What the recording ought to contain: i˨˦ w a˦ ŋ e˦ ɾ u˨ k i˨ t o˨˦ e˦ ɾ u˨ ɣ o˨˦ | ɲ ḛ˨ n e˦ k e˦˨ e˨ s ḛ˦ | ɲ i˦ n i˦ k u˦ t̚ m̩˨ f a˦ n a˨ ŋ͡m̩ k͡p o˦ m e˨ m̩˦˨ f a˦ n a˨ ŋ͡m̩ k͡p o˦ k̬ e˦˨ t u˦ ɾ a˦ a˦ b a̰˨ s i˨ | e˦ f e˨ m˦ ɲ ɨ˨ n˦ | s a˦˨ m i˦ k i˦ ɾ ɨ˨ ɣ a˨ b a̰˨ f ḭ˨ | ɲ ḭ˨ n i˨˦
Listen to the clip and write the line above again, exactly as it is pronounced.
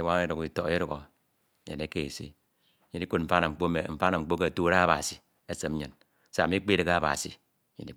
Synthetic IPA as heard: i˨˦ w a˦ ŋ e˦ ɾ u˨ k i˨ t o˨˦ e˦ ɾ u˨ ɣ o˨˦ | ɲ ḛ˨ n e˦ k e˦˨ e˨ s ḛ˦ | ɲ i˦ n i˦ k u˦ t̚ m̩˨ f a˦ n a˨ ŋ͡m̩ k͡p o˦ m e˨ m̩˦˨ f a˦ n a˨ ŋ͡m̩ k͡p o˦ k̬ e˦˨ t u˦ ɾ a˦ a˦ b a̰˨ s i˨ | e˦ s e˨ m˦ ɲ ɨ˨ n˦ | s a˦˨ m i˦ k͡p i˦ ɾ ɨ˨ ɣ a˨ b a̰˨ s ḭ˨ | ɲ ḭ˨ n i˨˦